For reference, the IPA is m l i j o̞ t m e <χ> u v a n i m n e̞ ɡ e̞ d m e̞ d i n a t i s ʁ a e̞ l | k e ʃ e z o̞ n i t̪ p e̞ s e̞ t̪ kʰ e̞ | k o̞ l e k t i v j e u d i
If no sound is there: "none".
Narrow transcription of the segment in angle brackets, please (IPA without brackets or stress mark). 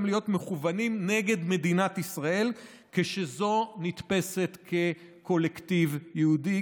χ